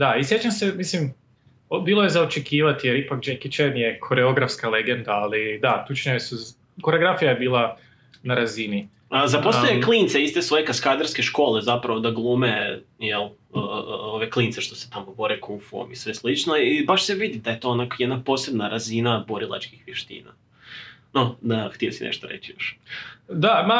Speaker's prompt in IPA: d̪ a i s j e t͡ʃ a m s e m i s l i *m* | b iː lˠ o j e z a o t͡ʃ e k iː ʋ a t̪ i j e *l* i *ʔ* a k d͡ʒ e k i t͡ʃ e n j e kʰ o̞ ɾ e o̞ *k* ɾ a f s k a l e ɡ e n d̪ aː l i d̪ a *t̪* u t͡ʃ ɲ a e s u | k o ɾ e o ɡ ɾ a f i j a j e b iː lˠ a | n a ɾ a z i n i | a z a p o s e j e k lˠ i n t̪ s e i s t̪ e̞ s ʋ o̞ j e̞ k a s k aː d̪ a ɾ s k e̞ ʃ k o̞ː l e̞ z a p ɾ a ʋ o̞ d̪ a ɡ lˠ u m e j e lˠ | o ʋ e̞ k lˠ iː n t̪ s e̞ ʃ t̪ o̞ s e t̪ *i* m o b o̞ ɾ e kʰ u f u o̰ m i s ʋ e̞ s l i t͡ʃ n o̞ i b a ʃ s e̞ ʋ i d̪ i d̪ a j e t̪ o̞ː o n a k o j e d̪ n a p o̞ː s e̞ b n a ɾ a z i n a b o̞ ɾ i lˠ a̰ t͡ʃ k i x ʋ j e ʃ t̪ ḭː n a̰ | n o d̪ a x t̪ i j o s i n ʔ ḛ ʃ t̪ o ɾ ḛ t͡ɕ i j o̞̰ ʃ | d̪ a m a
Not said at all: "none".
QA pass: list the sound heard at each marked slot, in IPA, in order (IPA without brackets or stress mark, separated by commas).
m, ɾ, p, ɡ, t̪, a